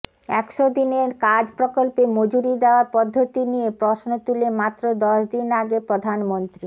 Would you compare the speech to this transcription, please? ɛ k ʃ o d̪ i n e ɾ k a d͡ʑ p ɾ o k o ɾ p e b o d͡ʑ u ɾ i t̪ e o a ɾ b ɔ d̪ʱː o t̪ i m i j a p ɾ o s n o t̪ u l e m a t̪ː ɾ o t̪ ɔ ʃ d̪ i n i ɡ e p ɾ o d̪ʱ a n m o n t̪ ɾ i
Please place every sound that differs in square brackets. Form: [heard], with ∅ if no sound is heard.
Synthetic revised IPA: ɛ k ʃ o d̪ i n e ɾ k a d͡ʑ p ɾ o k o [l] p e [m] o d͡ʑ u ɾ i [d̪] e o a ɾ [p] ɔ d̪ʱː o t̪ i [n] i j [e] p ɾ o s n o t̪ u l e m a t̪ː ɾ o [d̪] ɔ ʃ d̪ i n [a] ɡ e p ɾ o d̪ʱ a n m o n t̪ ɾ i